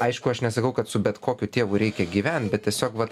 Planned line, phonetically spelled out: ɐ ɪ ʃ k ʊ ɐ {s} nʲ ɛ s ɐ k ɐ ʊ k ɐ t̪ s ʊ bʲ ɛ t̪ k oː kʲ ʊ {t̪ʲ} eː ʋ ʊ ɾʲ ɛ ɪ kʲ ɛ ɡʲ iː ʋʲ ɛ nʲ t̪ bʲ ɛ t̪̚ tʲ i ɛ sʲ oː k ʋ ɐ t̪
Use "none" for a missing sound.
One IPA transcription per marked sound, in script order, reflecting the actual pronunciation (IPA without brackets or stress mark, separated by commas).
ʃ, t̪ʲ